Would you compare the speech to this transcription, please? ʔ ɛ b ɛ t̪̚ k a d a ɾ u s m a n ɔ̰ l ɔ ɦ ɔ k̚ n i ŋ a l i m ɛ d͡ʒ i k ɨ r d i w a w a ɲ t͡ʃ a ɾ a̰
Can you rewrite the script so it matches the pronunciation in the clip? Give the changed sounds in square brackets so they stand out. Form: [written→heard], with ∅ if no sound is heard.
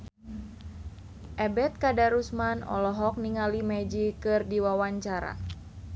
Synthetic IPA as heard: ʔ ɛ b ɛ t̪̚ k a d a ɾ u s m a n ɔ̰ l ɔ ɦ ɔ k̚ n i ŋ a l i m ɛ d͡ʒ i k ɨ r d i w a w a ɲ t͡ʃ a ɾ a̰